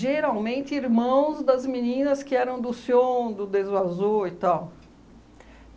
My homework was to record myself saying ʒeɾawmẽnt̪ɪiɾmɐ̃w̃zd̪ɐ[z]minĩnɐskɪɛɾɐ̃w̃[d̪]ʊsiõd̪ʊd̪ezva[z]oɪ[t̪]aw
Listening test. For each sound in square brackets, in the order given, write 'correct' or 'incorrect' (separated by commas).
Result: correct, correct, correct, correct